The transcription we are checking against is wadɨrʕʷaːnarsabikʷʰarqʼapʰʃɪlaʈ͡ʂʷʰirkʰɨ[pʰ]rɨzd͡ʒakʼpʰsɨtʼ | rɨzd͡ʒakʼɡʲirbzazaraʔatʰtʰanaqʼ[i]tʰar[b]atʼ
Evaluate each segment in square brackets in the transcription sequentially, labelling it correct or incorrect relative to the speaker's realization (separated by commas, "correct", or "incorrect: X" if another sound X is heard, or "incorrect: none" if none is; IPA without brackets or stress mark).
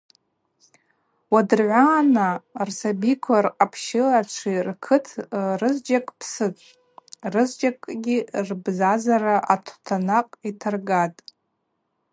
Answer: incorrect: tʰ, correct, incorrect: ɡ